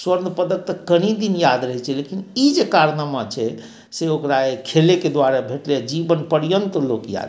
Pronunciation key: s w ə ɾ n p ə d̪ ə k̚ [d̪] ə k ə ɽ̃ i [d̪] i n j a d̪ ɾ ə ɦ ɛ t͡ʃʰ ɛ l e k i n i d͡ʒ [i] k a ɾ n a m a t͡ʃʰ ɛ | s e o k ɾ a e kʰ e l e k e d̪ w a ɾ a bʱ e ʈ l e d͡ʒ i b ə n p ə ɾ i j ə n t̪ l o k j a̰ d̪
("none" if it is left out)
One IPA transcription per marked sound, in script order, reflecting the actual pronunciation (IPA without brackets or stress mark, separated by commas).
t̪, d̪, e